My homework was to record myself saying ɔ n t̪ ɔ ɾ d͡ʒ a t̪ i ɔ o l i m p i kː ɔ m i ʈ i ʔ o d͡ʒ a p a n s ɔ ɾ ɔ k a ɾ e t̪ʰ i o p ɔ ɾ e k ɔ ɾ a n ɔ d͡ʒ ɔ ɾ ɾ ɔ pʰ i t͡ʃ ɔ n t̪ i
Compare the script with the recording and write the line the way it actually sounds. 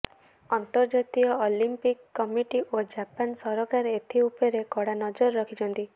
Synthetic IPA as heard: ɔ n t̪ ɔ ɾ d͡ʒ a t̪ i ɔ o l i m p i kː ɔ m i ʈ i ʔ o d͡ʒ a p a n s ɔ ɾ ɔ k a ɾ e t̪ʰ i u p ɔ ɾ e k ɔ ɽ a n ɔ d͡ʒ ɔ ɾ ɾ ɔ kʰ i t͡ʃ ɔ n t̪ i